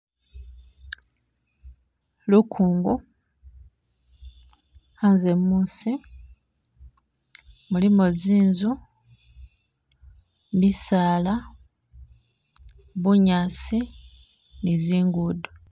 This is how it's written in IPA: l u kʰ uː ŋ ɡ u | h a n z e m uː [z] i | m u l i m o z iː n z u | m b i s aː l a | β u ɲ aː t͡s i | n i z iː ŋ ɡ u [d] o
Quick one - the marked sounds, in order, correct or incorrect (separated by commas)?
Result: incorrect, correct